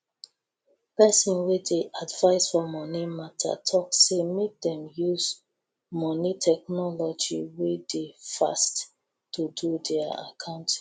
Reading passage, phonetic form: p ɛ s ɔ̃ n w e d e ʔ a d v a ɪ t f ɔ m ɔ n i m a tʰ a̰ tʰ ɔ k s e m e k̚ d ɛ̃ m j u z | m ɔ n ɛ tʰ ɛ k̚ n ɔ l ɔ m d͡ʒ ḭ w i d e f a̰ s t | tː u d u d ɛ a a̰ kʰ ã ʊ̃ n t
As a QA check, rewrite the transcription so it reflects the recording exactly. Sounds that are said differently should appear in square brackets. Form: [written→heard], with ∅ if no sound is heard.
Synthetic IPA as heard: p ɛ s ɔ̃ n w e d e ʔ a d v a ɪ [t→s] f ɔ m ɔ n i m a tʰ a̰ tʰ ɔ k s e m e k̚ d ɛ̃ m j u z | m ɔ n [ɛ→i] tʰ ɛ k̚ n ɔ l ɔ [m→∅] d͡ʒ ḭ w [i→e] d e f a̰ s t | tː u d u d ɛ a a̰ kʰ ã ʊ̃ n t